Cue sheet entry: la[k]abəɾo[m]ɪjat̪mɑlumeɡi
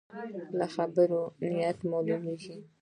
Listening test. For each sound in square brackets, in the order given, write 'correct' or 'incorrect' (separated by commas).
incorrect, incorrect